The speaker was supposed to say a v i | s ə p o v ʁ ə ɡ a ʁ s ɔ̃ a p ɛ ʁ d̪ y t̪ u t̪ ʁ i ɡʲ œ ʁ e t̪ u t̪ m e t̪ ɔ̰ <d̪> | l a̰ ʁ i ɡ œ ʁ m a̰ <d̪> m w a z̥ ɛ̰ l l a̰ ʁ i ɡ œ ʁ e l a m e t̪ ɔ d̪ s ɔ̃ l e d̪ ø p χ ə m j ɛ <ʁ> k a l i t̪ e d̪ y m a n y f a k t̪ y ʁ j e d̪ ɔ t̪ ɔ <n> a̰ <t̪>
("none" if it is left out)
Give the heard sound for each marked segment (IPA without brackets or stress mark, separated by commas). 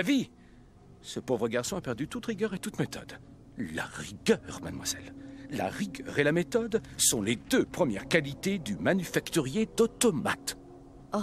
d̪, d̪, ʁ, m, t̪